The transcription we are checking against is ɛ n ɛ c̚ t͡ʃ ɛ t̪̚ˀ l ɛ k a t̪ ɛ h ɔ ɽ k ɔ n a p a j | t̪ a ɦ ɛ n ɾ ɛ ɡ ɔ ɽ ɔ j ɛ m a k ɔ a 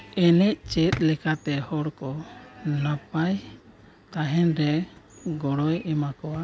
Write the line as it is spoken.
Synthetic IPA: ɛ n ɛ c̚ t͡ʃ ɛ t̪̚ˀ l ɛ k a t̪ ɛ h ɔ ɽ k ɔ n a p a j | t̪ a ɦ ɛ n ɾ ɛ ɡ ɔ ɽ ɔ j ɛ m a k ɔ a